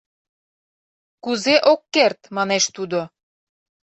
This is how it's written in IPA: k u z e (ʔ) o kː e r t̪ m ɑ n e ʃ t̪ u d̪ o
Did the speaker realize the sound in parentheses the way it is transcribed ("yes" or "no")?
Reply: yes